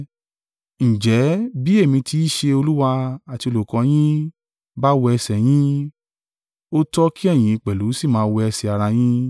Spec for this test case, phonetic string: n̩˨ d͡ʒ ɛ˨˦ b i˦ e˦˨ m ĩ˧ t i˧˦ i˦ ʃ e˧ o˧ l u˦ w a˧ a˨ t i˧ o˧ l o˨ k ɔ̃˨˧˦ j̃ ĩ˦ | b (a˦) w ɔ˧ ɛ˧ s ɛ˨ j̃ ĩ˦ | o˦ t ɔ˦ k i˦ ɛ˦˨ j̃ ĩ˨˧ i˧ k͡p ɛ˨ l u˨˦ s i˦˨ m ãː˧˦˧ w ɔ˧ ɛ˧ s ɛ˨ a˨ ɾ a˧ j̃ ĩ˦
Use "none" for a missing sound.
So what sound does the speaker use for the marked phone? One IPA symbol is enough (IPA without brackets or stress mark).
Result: a˦